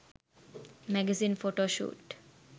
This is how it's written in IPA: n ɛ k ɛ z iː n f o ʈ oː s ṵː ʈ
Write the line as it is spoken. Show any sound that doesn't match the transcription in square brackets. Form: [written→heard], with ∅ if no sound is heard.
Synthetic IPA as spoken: [n→m] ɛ [k→ɡ] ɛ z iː n f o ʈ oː [s→ʃ] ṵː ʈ